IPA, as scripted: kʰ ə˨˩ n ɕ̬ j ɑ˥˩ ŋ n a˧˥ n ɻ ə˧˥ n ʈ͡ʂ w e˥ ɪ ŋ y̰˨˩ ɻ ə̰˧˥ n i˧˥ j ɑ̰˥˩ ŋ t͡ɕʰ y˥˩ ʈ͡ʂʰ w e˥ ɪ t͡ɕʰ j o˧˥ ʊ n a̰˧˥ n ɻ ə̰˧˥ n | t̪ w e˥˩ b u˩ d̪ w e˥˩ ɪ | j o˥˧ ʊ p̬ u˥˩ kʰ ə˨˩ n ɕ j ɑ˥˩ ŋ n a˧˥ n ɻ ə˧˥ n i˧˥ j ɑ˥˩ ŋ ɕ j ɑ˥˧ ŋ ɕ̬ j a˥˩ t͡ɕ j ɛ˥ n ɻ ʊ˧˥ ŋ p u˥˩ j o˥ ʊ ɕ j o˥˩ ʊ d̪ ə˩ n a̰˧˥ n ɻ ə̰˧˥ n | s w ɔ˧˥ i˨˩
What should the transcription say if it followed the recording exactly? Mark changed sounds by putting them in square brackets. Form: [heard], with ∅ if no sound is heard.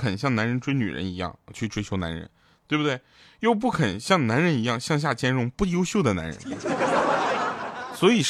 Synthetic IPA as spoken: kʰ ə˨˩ n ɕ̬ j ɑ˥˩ ŋ n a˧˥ n ɻ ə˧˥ n ʈ͡ʂ w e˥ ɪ [n] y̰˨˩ ɻ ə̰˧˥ n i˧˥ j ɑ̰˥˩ ŋ t͡ɕʰ y˥˩ ʈ͡ʂʰ w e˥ ɪ t͡ɕʰ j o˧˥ ʊ n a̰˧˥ n ɻ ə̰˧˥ n | t̪ w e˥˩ b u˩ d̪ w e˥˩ ɪ | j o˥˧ ʊ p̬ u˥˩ kʰ ə˨˩ n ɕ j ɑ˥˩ ŋ n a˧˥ n ɻ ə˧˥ n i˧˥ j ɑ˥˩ ŋ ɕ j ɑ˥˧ ŋ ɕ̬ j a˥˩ t͡ɕ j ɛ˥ n ɻ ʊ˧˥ ŋ p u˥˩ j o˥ ʊ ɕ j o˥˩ ʊ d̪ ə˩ n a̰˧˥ n ɻ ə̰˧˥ n | s w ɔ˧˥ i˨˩